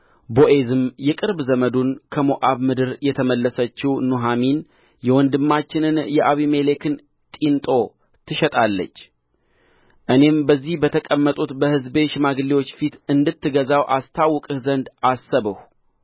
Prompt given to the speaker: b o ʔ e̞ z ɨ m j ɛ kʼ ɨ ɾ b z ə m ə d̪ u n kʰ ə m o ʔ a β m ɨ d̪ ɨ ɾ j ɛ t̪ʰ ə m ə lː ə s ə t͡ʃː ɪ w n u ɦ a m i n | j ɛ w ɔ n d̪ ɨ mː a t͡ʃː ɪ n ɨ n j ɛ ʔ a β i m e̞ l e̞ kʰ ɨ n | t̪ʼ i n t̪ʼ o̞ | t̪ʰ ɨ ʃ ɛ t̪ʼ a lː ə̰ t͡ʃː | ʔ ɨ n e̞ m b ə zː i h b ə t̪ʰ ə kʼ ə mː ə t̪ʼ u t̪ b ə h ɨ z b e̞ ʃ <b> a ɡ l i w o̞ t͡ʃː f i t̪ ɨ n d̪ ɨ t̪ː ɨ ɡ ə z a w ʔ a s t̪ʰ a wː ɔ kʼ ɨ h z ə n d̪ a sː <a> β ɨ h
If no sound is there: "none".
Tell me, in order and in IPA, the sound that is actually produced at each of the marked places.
m, ə

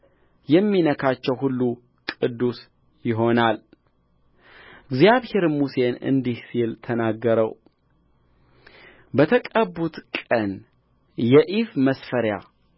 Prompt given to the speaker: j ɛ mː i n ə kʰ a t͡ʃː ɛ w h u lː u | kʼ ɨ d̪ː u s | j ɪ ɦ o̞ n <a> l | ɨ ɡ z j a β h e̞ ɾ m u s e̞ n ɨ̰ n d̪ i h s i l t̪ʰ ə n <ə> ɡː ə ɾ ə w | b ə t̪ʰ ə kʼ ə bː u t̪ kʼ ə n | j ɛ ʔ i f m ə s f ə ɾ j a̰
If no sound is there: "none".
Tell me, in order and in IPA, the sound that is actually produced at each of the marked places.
a, a

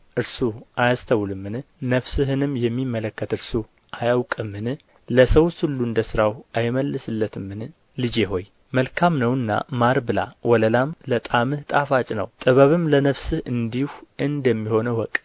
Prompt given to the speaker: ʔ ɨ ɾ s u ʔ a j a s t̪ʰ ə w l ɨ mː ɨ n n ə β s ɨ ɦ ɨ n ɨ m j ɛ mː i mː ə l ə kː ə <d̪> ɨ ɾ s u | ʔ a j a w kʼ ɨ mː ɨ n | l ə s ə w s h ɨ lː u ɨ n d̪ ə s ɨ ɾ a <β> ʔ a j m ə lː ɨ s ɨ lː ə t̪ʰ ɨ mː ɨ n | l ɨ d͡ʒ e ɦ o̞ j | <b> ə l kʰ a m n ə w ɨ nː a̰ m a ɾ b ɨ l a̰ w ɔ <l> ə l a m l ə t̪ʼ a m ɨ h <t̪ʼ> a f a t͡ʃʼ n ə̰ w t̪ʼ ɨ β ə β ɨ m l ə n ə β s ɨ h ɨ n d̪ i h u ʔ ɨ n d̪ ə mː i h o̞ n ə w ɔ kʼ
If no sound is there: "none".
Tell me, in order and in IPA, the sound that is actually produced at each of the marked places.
t̪, w, m, l, t̪ʼ

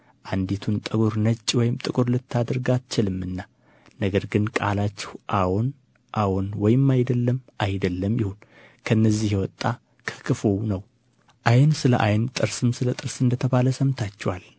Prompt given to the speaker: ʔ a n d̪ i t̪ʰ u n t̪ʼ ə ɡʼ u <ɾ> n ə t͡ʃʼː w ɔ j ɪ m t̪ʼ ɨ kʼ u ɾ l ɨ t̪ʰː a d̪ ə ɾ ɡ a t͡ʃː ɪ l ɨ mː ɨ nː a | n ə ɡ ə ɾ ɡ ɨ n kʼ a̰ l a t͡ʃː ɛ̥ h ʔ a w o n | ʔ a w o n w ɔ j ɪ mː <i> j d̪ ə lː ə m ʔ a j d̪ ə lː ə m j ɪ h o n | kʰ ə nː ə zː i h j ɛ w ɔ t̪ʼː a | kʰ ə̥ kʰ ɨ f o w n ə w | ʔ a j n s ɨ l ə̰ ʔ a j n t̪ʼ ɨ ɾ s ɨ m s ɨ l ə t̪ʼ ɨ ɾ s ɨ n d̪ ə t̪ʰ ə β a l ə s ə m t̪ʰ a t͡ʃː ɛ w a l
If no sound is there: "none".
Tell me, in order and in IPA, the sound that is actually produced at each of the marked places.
ɾ, a

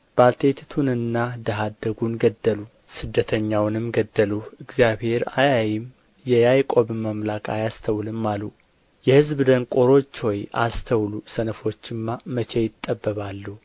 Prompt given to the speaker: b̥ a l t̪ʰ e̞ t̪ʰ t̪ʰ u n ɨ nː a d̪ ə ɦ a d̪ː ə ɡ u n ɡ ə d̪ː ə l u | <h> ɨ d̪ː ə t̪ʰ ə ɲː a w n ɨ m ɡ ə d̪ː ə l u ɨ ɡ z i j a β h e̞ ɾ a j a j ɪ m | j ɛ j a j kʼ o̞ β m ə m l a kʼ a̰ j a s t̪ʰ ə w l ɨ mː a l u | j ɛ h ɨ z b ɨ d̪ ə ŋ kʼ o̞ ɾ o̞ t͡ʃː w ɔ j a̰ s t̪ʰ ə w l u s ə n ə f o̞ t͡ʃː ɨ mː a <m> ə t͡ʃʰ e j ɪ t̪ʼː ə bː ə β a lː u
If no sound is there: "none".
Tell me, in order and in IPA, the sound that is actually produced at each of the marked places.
s, m

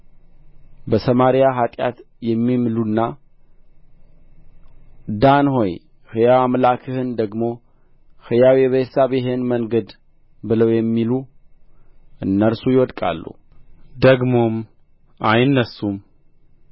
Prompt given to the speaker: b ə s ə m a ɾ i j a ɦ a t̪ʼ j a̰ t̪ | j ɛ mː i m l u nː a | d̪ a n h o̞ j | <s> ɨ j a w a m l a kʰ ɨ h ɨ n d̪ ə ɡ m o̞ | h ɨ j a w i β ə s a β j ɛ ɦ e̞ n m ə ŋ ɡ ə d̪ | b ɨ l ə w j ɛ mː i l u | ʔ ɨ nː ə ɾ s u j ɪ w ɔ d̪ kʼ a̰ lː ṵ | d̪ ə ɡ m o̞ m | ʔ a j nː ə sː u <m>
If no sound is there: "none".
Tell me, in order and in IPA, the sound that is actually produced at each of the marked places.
h, m

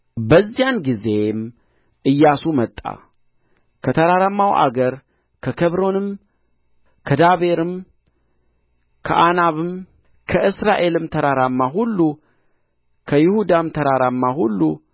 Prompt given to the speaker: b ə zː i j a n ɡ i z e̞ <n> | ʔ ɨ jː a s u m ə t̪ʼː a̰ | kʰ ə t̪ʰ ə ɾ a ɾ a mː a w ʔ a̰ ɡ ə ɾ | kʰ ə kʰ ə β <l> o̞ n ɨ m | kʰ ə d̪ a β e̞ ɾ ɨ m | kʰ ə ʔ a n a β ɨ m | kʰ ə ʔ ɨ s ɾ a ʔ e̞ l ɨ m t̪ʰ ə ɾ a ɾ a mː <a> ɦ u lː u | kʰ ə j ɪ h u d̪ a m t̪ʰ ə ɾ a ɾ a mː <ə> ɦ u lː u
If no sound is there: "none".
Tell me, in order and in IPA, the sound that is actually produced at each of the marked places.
m, ɾ, a, a

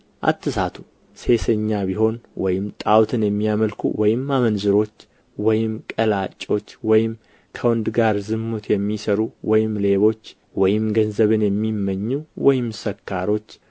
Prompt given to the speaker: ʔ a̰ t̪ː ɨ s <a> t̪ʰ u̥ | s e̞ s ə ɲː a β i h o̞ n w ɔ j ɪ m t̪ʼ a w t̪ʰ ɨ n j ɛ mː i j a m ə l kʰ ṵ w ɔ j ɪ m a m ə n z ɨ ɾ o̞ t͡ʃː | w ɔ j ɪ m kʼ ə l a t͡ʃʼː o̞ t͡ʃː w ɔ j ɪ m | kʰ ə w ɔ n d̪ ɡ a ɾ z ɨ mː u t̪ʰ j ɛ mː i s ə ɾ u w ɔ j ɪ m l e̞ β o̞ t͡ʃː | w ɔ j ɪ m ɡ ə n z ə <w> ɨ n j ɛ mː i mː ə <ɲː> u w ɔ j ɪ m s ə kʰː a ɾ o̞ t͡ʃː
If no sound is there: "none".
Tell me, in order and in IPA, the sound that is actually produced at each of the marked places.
a, β, ɲː

